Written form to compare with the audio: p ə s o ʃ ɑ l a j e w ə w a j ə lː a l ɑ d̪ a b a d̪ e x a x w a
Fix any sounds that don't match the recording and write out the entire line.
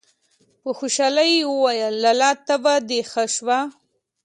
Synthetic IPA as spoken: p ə x o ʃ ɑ l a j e w ə w a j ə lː a l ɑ t̪ a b a d̪ e x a ʃ w a